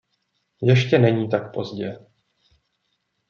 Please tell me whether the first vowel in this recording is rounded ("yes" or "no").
no